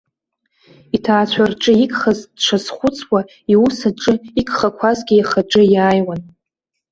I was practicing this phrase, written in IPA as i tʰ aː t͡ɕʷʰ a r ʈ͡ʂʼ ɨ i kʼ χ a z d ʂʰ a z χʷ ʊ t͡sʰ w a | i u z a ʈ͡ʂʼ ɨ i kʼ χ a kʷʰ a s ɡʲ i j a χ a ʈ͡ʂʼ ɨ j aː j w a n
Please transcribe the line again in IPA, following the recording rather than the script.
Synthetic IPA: i tʰ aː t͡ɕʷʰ a r ʈ͡ʂʼ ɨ i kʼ χ a z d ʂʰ a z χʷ ʊ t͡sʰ w a | i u s a ʈ͡ʂʼ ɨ i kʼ χ a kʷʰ a z ɡʲ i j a χ a ʈ͡ʂʼ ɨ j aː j w a n